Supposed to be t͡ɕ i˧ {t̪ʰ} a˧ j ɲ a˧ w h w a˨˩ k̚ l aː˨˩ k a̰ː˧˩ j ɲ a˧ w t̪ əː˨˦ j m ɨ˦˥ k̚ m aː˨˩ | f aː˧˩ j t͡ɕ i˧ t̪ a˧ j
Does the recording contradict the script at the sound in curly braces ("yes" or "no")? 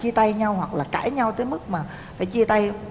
yes